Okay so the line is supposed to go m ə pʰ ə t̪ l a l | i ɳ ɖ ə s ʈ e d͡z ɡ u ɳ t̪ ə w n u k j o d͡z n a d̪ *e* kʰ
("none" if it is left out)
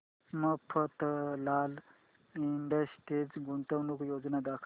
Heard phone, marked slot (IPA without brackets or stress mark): a